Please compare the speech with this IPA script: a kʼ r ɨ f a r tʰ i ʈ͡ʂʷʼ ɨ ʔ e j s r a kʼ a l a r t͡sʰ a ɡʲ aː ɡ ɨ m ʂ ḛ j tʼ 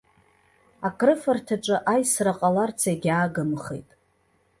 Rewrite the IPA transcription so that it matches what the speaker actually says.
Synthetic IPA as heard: a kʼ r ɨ f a r tʰ a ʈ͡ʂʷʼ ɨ ʔ a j s r a qʼ a l a r t͡sʰ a ɡʲ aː ɡ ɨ m χ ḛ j tʼ